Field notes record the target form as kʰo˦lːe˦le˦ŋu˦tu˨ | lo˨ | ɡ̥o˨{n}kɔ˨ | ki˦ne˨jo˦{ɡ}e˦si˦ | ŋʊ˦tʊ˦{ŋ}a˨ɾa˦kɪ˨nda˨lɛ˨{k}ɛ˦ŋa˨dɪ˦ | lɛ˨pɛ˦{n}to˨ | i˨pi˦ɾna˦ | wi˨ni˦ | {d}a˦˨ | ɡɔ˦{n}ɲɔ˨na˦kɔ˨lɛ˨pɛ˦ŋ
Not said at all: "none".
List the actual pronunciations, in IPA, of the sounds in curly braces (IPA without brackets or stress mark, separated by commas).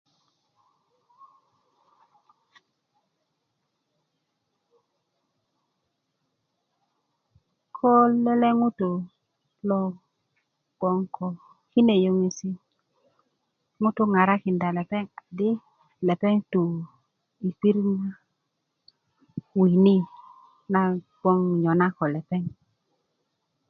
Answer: ŋ, ŋ, ŋ, p, ŋ, n, ŋ